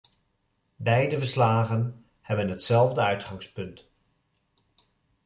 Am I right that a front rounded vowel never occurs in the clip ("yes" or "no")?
no